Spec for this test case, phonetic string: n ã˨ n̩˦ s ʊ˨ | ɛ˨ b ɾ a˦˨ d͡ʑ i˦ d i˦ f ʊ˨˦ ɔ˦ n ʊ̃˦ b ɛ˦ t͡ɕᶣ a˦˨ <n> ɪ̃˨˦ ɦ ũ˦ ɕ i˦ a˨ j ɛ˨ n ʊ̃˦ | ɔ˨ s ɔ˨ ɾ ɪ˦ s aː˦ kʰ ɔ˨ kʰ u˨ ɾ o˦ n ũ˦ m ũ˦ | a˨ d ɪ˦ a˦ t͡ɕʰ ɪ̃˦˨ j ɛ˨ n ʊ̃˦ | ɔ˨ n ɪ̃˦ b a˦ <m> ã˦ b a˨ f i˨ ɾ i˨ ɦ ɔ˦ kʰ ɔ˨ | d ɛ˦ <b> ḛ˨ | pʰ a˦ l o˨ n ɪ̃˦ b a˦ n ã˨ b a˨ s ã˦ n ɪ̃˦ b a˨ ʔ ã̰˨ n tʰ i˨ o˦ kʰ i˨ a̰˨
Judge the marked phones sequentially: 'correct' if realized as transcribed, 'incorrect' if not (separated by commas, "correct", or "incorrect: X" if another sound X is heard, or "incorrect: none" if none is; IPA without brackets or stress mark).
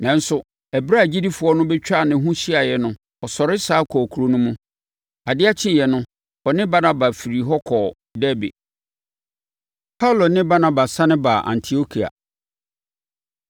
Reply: correct, incorrect: n, correct